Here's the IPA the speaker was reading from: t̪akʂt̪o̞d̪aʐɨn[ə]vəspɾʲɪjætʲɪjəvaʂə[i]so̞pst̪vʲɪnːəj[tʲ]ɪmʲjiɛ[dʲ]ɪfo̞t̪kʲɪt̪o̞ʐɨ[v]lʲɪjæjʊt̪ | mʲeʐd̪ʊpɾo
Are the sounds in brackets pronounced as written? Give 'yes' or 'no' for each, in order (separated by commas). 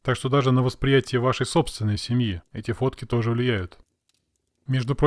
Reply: yes, no, no, no, yes